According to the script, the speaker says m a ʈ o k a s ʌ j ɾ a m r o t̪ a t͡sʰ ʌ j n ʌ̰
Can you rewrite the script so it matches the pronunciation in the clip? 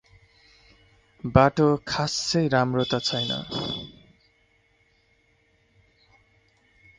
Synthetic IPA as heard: b a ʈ o kʰ a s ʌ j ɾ a m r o t̪ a t͡sʰ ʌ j n ʌ̰